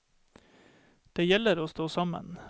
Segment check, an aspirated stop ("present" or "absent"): absent